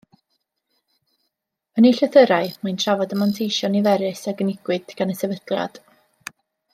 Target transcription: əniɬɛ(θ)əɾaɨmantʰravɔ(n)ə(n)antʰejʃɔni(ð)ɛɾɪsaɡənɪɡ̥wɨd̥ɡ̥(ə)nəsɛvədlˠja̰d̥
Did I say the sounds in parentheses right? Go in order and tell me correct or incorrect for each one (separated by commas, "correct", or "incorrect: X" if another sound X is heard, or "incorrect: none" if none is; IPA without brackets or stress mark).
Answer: correct, incorrect: d, incorrect: m, incorrect: v, incorrect: a